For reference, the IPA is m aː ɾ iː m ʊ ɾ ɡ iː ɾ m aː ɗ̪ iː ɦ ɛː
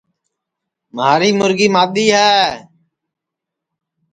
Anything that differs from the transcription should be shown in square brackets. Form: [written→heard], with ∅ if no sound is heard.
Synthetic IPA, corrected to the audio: m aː ɾ iː m ʊ ɾ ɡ iː [ɾ→∅] m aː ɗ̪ iː ɦ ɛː